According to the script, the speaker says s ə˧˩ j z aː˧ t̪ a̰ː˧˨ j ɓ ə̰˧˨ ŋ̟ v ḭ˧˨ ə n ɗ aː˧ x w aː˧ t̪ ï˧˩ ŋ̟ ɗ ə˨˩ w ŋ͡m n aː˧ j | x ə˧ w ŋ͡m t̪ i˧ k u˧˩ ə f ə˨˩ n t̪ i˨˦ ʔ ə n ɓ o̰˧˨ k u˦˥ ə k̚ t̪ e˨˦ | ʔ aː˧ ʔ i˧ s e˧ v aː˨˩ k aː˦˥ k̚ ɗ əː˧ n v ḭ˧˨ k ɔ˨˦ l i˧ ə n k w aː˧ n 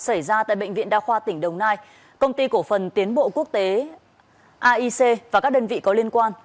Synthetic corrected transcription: s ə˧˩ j z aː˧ t̪ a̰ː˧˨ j ɓ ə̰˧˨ ŋ̟ v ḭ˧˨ ə n ɗ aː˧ x w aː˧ t̪ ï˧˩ ŋ̟ ɗ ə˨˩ w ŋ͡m n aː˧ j | k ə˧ w ŋ͡m t̪ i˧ k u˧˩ ə f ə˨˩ n t̪ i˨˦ ə n ɓ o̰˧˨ k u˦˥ ə k̚ t̪ e˨˦ | ʔ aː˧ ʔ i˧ s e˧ v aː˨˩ k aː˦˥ k̚ ɗ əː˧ n v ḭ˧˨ k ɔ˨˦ l i˧ ə n k w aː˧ n

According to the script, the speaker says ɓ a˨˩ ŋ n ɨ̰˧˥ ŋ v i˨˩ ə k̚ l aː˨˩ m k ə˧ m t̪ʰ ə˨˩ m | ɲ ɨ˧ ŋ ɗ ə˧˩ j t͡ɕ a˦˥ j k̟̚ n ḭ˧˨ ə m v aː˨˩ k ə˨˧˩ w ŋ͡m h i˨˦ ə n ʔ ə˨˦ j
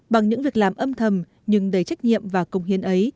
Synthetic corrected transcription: ɓ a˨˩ ŋ ɲ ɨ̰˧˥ ŋ v i˨˩ ə k̚ l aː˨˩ m ʔ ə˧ m t̪ʰ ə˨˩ m | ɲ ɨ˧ ŋ ɗ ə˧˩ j t͡ɕ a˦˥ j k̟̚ ɲ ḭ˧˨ ə m v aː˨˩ k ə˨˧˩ w ŋ͡m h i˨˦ ə n ʔ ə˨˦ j

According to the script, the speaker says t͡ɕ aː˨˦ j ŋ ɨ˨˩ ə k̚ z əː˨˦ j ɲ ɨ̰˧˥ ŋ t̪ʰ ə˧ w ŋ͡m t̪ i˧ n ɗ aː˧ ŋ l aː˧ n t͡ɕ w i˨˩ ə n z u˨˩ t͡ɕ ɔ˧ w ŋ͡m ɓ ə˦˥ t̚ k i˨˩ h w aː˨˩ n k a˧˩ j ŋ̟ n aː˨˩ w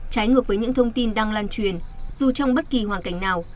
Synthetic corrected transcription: t͡ɕ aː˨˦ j ŋ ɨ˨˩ ə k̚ v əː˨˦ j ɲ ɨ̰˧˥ ŋ t̪ʰ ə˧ w ŋ͡m t̪ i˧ n ɗ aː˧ ŋ l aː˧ n t͡ɕ w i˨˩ ə n z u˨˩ t͡ɕ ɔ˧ w ŋ͡m ɓ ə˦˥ t̚ k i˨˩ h w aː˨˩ n k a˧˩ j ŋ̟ n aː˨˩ w

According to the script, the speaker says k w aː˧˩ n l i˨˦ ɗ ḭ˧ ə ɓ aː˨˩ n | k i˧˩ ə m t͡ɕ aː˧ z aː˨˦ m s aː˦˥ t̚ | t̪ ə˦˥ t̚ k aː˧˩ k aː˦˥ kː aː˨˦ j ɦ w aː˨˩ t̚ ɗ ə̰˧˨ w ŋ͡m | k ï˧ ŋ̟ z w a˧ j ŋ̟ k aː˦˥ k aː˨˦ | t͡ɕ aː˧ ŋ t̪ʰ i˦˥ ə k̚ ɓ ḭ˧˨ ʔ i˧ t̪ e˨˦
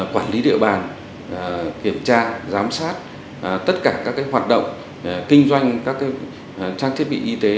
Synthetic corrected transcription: k w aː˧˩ n l i˨˦ ɗ ḭ˧ ə ɓ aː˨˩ n | k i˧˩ ə m t͡ɕ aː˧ z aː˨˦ m s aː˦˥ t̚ | t̪ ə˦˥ t̚ k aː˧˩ k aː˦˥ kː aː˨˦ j ɦ w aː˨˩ t̚ ɗ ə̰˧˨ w ŋ͡m | k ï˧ ŋ̟ z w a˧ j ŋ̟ k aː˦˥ k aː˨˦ | t͡ɕ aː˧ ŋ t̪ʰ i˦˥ ə t̚ ɓ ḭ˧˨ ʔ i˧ t̪ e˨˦

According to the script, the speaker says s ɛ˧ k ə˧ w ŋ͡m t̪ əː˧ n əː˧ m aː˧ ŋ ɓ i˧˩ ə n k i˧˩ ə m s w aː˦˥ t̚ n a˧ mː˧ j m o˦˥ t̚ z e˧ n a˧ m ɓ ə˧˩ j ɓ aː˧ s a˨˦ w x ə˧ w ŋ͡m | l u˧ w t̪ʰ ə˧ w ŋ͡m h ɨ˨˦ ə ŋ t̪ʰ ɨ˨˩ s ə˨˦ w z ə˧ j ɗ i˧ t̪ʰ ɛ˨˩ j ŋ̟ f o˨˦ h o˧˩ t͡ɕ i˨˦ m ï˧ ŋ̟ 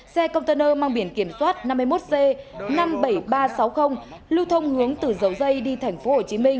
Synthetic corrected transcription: s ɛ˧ k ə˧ w ŋ͡m t̪ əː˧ n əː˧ m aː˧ ŋ ɓ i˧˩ ə n k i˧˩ ə m s w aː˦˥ t̚ n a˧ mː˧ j m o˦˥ t̚ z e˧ n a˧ m ɓ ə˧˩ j ɓ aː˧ s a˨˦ w x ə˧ w ŋ͡m | l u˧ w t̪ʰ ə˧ w ŋ͡m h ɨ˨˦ ə ŋ t̪ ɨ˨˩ z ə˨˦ w z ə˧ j ɗ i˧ t̪ʰ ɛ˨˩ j ŋ̟ f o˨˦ h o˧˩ t͡ɕ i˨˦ m ï˧ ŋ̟

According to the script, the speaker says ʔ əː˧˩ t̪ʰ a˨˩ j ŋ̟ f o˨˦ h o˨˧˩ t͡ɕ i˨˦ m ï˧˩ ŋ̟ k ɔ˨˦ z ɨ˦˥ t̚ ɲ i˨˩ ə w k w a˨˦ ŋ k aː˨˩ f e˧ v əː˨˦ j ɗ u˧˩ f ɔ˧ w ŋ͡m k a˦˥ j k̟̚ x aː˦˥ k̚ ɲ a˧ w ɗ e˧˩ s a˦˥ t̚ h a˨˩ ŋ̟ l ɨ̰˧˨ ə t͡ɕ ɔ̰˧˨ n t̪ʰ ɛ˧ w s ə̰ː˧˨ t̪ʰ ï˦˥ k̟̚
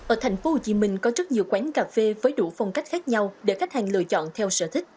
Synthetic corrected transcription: ʔ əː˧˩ t̪ʰ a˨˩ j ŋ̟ f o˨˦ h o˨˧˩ t͡ɕ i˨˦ m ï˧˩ ŋ̟ k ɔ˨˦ z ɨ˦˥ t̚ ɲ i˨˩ ə w k w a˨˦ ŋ k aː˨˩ f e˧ v əː˨˦ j ɗ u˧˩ f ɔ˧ w ŋ͡m k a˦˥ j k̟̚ x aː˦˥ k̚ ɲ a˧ w ɗ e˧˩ x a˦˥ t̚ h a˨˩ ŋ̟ l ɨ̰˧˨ ə t͡ɕ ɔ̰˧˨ n t̪ʰ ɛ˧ w s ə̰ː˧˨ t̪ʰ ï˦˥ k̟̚

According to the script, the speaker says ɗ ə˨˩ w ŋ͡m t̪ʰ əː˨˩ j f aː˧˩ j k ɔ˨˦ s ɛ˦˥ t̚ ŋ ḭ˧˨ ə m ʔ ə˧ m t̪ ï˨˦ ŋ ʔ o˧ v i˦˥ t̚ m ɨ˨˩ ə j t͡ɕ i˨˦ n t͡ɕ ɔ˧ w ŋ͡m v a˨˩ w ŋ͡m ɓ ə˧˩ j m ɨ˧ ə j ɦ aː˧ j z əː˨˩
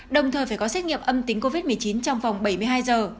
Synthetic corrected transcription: ɗ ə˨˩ w ŋ͡m t̪ʰ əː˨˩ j f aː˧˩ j k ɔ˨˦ s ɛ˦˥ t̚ ŋ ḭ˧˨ ə m ʔ ə˧ m t̪ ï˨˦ ŋ k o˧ v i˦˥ t̚ m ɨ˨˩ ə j t͡ɕ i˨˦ n t͡ɕ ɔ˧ w ŋ͡m v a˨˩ w ŋ͡m ɓ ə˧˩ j m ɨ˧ ə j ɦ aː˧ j z əː˨˩

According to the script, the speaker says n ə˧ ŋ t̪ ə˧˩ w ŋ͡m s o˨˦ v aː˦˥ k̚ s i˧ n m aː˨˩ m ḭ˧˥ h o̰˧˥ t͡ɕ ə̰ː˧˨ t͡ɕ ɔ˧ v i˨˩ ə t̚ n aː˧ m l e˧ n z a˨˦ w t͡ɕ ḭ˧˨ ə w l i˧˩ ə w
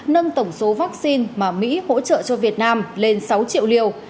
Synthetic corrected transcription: n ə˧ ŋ t̪ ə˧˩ w ŋ͡m s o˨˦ v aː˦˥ k̚ s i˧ n m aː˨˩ m ḭ˧˥ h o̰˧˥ t͡ɕ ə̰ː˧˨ t͡ɕ ɔ˧ v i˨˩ ə t̚ n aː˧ m l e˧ n s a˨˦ w t͡ɕ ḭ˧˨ ə w l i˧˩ ə w

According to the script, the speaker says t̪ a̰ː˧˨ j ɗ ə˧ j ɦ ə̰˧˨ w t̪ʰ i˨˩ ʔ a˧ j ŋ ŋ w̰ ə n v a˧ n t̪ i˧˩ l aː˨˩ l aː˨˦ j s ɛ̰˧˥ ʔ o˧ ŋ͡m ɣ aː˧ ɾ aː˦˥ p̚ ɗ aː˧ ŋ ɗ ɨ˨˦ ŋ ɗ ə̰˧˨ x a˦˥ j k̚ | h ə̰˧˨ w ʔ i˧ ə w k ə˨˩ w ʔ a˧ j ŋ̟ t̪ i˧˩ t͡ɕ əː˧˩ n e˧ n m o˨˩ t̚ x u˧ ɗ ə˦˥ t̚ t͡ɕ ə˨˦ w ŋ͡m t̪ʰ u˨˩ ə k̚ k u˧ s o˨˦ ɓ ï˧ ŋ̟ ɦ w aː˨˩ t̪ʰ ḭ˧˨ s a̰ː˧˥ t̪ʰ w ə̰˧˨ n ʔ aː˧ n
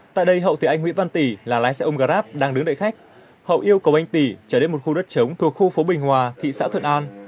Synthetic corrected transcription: t̪ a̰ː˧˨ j ɗ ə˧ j ɦ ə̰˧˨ w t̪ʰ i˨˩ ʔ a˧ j ŋ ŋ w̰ ə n v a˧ n t̪ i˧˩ l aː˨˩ l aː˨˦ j s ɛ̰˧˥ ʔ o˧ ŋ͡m ɣ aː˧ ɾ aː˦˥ p̚ ɗ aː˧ ŋ ɗ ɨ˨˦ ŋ ɗ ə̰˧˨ x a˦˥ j k̚ | h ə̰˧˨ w ʔ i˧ ə w k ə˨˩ w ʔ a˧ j ŋ̟ t̪ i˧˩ t͡ɕ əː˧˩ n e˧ n m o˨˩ t̚ x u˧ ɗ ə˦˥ t̚ t͡ɕ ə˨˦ w ŋ͡m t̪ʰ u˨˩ ə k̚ x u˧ f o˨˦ ɓ ï˨˩ ŋ̟ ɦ w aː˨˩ t̪ʰ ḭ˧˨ s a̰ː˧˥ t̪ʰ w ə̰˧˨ n ʔ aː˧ n

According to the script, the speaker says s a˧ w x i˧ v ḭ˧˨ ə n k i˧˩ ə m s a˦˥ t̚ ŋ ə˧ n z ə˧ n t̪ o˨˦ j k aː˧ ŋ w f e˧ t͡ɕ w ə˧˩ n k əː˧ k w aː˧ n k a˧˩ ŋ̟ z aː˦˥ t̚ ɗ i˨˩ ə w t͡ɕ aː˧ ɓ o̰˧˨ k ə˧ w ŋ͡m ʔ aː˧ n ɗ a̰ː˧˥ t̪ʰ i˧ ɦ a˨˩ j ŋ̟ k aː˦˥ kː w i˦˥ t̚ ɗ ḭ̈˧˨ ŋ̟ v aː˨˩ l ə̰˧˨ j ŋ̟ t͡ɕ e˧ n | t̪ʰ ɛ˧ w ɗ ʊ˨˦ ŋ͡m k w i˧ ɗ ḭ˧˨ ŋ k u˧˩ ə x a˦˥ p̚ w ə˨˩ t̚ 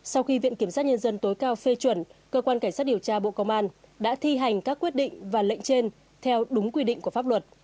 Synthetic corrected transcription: s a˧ w x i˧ v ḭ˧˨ ə n k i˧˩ ə m s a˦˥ t̚ ɲ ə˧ n z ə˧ n t̪ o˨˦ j k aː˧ w f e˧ t͡ɕ w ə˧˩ n k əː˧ k w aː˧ n k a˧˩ ŋ̟ s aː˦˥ t̚ ɗ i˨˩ ə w t͡ɕ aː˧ ɓ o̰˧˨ k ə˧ w ŋ͡m ʔ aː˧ n ɗ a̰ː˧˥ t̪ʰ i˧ ɦ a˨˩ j ŋ̟ k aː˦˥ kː w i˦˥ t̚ ɗ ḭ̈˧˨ ŋ̟ v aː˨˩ l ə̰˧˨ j ŋ̟ t͡ɕ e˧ n | t̪ʰ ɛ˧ w ɗ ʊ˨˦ ŋ͡m k w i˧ ɗ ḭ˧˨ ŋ k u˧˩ ə f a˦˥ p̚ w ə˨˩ t̚

